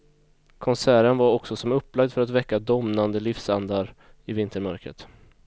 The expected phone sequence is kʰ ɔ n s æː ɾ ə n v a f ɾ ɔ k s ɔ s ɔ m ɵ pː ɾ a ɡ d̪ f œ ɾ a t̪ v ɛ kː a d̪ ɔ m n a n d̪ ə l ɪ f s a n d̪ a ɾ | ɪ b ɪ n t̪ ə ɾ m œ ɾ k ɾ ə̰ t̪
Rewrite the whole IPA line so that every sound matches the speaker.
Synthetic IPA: kʰ ɔ n s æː ɾ ə n v a ɾ ɔ k s ɔ s ɔ m ɵ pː l a ɡ d̪ f œ ɾ a t̪ v ɛ kː a d̪ ɔ m n a n d̪ ə l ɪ f s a n d̪ a ɾ | ɪ v ɪ n t̪ ə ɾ m œ ɾ k ɾ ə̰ t̪